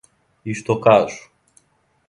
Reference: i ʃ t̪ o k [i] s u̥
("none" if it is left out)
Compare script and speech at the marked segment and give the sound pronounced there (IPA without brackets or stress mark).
a